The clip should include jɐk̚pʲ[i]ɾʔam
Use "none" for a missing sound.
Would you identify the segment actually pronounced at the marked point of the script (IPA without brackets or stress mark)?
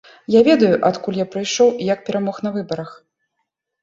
ɛ